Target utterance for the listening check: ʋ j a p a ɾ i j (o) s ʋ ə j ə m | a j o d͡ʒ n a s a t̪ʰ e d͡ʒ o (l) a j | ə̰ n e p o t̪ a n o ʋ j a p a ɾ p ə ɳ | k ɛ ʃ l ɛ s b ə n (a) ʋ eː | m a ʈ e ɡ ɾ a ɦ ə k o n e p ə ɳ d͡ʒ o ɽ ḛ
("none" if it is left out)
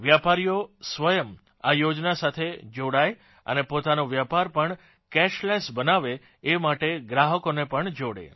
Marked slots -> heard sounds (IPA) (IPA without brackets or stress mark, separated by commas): o, ɽ, a